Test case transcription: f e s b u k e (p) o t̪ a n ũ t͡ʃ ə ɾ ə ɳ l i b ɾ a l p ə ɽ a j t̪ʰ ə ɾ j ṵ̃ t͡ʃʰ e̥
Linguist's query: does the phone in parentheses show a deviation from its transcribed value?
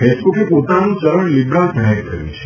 no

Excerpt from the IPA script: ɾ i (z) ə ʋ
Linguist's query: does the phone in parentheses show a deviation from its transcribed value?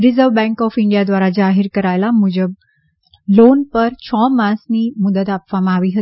no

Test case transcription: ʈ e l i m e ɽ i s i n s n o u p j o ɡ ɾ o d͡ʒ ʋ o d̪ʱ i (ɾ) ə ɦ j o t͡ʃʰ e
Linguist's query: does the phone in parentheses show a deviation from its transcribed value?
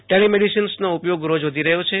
no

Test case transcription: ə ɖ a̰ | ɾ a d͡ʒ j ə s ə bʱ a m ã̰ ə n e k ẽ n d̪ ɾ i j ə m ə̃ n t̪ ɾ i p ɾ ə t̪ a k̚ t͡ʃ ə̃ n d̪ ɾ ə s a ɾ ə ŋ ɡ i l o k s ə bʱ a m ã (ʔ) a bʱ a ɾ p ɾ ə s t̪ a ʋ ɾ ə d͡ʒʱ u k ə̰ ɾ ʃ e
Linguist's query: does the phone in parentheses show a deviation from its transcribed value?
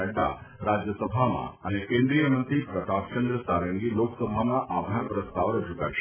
no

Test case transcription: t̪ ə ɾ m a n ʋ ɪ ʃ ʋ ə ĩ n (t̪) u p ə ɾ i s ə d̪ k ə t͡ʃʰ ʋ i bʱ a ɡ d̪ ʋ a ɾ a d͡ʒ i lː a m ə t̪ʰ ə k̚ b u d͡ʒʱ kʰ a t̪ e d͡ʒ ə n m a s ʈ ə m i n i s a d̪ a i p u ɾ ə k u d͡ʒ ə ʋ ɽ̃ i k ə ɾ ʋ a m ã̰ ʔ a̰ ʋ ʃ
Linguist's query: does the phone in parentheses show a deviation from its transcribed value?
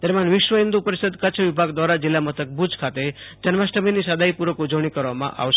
yes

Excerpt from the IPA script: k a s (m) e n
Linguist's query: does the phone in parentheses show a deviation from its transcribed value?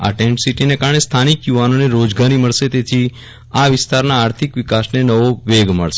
yes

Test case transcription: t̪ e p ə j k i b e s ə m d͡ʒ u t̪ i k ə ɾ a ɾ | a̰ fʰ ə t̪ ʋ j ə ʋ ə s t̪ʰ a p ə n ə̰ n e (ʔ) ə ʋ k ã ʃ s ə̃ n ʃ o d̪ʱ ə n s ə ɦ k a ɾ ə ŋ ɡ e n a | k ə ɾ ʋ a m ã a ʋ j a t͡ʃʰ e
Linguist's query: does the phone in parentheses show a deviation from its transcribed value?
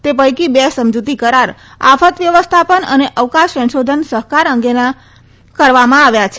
no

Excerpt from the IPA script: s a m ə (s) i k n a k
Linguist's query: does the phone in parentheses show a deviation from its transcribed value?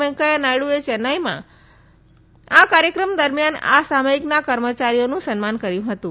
yes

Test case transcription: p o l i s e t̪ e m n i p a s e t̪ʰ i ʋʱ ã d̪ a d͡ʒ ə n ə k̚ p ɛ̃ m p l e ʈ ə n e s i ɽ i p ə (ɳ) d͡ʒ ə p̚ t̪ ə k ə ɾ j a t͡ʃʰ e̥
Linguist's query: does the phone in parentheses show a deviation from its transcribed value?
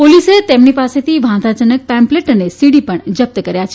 no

